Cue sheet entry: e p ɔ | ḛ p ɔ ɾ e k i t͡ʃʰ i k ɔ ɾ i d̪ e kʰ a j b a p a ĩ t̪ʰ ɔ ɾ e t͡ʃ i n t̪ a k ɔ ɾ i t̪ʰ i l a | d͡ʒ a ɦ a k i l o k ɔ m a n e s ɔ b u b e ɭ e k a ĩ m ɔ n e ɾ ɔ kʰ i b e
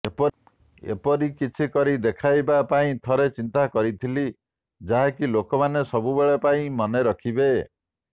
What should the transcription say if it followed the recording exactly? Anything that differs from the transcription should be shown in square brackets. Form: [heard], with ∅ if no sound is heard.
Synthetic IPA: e p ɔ | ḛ p ɔ ɾ [i] k i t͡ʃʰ i k ɔ ɾ i d̪ e kʰ a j b a p a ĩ t̪ʰ ɔ ɾ e t͡ʃ i n t̪ a k ɔ ɾ i t̪ʰ i l [i] | d͡ʒ a ɦ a k i l o k ɔ m a n e s ɔ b u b e ɭ e [p] a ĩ m ɔ n e ɾ ɔ kʰ i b e

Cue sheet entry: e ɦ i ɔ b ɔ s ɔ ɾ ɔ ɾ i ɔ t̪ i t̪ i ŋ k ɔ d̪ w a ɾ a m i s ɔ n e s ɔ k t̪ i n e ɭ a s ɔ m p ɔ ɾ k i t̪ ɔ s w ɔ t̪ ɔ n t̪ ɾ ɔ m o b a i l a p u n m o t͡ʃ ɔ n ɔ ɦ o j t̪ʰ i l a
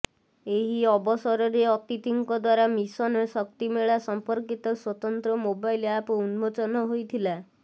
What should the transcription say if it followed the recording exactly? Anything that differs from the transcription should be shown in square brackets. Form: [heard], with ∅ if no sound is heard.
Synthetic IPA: e ɦ i ɔ b ɔ s ɔ ɾ ɔ ɾ [e] ɔ t̪ i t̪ i ŋ k ɔ d̪ w a ɾ a m i s ɔ n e s ɔ k t̪ i [m] e ɭ a s ɔ m p ɔ ɾ k i t̪ ɔ s w ɔ t̪ ɔ n t̪ ɾ ɔ m o b a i l a p u n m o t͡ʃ ɔ n ɔ ɦ o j t̪ʰ i l a

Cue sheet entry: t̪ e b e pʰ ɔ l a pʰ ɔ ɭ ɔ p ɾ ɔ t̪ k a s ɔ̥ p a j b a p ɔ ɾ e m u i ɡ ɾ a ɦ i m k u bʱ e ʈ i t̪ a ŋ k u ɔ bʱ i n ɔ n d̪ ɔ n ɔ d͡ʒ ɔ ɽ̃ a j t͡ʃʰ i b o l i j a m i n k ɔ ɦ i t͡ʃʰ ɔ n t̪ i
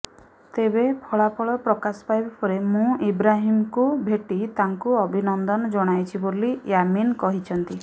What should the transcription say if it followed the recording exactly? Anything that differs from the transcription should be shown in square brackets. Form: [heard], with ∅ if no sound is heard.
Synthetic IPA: t̪ e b e pʰ ɔ [ɭ] a pʰ ɔ ɭ ɔ p ɾ ɔ [∅] k a s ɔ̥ p a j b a p ɔ ɾ e m [ũ] i [b] ɾ a ɦ i m k u bʱ e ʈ i t̪ a ŋ k u ɔ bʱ i n ɔ n d̪ ɔ n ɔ d͡ʒ ɔ ɽ̃ a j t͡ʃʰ i b o l i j a m i n k ɔ ɦ i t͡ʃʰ ɔ n t̪ i

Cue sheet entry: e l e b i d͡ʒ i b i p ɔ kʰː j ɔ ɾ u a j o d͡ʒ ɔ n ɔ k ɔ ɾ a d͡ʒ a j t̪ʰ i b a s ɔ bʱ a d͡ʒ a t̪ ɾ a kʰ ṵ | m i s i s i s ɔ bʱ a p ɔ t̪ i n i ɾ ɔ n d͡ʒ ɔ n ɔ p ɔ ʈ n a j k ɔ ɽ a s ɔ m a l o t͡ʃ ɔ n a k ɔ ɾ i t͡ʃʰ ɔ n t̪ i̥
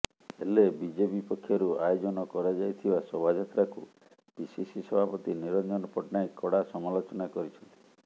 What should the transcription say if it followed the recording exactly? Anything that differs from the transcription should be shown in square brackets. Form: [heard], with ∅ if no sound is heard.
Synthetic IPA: e l e b i d͡ʒ [e] b i p ɔ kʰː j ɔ ɾ u a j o d͡ʒ ɔ n ɔ k ɔ ɾ a d͡ʒ a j t̪ʰ i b a s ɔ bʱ a d͡ʒ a t̪ ɾ a [k] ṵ | [b] i s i s i s ɔ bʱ a p ɔ t̪ i n i ɾ ɔ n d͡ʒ ɔ n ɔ p ɔ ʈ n a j k ɔ ɽ a s ɔ m a l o t͡ʃ ɔ n a k ɔ ɾ i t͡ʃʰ ɔ n t̪ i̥

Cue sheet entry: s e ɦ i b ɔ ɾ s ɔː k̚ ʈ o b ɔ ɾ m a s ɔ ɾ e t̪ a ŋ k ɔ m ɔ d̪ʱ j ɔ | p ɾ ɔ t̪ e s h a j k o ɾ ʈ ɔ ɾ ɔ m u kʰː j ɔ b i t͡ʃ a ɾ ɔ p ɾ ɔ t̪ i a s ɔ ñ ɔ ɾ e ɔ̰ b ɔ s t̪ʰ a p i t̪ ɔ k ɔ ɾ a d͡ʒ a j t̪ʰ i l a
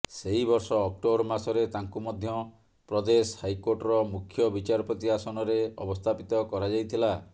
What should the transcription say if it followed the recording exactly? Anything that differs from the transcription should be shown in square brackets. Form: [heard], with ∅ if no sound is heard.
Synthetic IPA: s e ɦ i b ɔ ɾ s ɔː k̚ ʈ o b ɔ ɾ m a s ɔ ɾ e t̪ a ŋ k [u] m ɔ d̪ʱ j ɔ | p ɾ ɔ [d̪] e s h a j k o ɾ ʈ ɔ ɾ ɔ m u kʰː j ɔ b i t͡ʃ a ɾ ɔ p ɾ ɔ t̪ i a s ɔ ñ ɔ ɾ e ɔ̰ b ɔ s t̪ʰ a p i t̪ ɔ k ɔ ɾ a d͡ʒ a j t̪ʰ i l a

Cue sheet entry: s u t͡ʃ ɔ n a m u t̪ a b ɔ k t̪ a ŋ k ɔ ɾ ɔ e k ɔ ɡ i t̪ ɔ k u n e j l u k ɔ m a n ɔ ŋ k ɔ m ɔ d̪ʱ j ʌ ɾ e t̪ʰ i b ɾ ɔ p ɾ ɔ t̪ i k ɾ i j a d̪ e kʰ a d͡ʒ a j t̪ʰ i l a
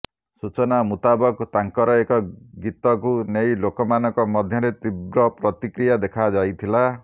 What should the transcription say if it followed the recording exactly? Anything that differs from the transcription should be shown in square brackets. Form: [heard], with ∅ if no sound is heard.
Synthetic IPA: s u t͡ʃ ɔ n a m u t̪ a b ɔ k t̪ a ŋ k ɔ ɾ ɔ e k ɔ ɡ i t̪ ɔ k u n e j l [o] k ɔ m a n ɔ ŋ k ɔ m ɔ d̪ʱ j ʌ ɾ e [t̪] i b ɾ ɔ p ɾ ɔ t̪ i k ɾ i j a d̪ e kʰ a d͡ʒ a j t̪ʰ i l a

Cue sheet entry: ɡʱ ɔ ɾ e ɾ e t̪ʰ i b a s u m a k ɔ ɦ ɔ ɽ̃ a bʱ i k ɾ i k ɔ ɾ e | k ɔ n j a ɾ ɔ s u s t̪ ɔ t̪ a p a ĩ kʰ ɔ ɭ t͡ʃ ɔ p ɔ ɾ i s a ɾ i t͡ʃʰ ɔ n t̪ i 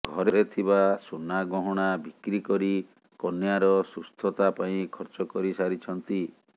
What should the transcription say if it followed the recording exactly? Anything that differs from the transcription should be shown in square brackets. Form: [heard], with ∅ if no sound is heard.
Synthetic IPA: ɡʱ ɔ ɾ e ɾ e t̪ʰ i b a s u [n] a [ɡ] ɔ ɦ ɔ ɽ̃ a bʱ i k ɾ i k ɔ ɾ [i] | k ɔ n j a ɾ ɔ s u s [t̪ʰ] ɔ t̪ a p a ĩ kʰ ɔ [ɾ] t͡ʃ ɔ [k] ɔ ɾ i s a ɾ i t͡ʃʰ ɔ n t̪ i

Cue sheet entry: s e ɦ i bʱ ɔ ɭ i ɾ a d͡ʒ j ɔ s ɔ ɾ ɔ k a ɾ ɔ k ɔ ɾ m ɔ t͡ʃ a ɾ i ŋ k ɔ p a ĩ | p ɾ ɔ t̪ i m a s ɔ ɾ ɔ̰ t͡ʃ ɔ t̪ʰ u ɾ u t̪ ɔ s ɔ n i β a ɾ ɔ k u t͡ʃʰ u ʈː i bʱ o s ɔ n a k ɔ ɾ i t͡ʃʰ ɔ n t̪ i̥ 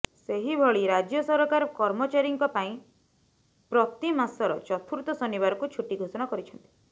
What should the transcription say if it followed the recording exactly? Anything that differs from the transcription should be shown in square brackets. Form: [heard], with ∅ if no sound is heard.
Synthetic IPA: s e ɦ i bʱ ɔ ɭ i ɾ a d͡ʒ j ɔ s ɔ ɾ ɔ k a ɾ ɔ k ɔ ɾ m ɔ t͡ʃ a ɾ i ŋ k ɔ p a ĩ | p ɾ ɔ t̪ i m a s ɔ ɾ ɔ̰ t͡ʃ ɔ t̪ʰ u ɾ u t̪ ɔ s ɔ n i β a ɾ ɔ k u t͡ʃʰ u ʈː i [ɡʱ] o s ɔ n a k ɔ ɾ i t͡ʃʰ ɔ n t̪ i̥

